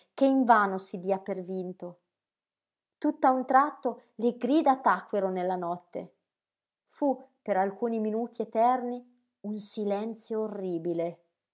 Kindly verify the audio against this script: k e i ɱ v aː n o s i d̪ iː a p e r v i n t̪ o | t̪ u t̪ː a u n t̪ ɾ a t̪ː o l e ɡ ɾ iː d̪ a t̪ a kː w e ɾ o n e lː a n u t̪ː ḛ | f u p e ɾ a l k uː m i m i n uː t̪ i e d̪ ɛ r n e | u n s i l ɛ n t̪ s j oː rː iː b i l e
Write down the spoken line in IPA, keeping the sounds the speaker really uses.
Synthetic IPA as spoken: k e i ɱ v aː n o s i d̪ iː a p e r v i n t̪ o | t̪ u t̪ː a u n t̪ ɾ a t̪ː o l e ɡ ɾ iː d̪ a t̪ a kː w e ɾ o n e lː a n ɔ t̪ː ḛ | f u p e ɾ a l k uː n i m i n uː t̪ i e t̪ ɛ r n i | u n s i l ɛ n t̪ s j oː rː iː b i l e